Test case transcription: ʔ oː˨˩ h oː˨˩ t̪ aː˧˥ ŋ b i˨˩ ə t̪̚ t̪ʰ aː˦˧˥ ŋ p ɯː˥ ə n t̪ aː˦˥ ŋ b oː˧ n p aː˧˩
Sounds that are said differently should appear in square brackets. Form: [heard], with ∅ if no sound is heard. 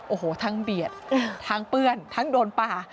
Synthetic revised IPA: ʔ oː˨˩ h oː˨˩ [t̪ʰ] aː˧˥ ŋ b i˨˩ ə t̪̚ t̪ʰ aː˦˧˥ ŋ p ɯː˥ ə n [t̪ʰ] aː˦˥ ŋ [d] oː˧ n p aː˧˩

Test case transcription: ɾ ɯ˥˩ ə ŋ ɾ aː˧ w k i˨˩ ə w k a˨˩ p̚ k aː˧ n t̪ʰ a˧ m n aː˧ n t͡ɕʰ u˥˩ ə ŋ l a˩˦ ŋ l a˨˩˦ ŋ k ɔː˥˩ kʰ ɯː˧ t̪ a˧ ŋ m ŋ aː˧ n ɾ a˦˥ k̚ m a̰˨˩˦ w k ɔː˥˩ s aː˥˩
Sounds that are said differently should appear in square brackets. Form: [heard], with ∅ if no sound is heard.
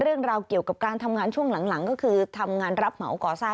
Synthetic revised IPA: ɾ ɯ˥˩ ə ŋ ɾ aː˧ w k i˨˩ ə w k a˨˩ p̚ k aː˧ n t̪ʰ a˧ m [ŋ] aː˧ n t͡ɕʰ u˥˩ ə ŋ l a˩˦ ŋ l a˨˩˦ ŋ k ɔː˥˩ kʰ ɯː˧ [t̪ʰ] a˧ [∅] m ŋ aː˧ n ɾ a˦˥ [p̚] m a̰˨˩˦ w k [ɔː˨˩] s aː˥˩

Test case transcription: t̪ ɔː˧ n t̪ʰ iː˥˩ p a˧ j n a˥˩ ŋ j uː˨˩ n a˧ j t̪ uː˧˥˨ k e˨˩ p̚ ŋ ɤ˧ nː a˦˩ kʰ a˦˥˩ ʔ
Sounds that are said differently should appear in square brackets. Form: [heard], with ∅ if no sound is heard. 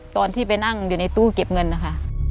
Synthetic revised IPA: t̪ ɔː˧ n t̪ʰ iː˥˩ p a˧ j n a˥˩ ŋ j uː˨˩ n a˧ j t̪ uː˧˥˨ k e˨˩ p̚ ŋ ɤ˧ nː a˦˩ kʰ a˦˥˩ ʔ

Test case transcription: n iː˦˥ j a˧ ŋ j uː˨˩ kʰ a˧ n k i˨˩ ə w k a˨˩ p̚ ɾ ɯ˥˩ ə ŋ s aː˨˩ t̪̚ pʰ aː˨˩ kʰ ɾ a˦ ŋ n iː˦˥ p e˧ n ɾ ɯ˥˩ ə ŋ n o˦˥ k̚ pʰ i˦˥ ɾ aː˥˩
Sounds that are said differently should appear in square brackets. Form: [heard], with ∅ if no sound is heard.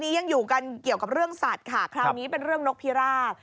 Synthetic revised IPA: n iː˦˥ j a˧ ŋ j uː˨˩ [k] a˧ n k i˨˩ ə w k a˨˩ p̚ ɾ ɯ˥˩ ə ŋ s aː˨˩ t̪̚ [kʰ] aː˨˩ kʰ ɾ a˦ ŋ n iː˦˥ p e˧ n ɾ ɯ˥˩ ə ŋ n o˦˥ k̚ pʰ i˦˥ ɾ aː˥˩

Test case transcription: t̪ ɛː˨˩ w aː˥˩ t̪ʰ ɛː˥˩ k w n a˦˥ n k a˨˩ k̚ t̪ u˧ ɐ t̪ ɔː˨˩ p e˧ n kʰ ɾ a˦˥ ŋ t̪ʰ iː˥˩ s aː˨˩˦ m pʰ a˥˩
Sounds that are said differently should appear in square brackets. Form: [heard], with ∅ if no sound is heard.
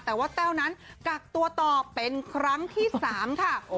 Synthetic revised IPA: t̪ ɛː˨˩ w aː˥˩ [t̪] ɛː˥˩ [∅] w n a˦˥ n k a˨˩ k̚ t̪ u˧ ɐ t̪ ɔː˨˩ p e˧ n kʰ ɾ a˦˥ ŋ t̪ʰ iː˥˩ s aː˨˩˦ m [kʰ] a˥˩

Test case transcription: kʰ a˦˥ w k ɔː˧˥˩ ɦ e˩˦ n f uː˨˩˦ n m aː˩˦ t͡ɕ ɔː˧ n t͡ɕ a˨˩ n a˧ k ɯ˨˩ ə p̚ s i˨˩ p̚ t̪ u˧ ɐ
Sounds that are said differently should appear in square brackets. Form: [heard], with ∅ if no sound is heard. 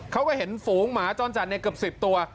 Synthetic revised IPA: kʰ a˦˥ w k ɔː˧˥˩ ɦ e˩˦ n f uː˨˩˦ [ŋ] m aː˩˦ t͡ɕ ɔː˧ n t͡ɕ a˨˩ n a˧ k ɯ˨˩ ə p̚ s i˨˩ p̚ t̪ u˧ ɐ

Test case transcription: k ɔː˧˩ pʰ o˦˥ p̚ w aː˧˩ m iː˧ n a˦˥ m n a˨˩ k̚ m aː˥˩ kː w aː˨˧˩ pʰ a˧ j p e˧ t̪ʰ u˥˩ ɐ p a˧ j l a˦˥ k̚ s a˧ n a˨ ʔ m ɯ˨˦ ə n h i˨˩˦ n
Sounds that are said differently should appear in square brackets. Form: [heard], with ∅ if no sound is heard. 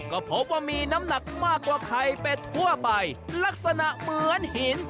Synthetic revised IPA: k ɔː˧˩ pʰ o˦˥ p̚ w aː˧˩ m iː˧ n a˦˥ m n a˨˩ k̚ m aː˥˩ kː w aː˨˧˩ [kʰ] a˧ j p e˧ t̪ʰ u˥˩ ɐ p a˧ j l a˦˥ k̚ s a˧ n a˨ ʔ m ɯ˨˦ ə n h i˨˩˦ n

